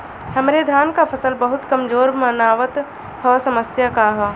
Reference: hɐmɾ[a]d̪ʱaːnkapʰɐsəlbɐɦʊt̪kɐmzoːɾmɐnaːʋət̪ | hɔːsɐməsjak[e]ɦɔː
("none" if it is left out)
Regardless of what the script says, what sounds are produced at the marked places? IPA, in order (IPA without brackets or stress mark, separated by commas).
e, a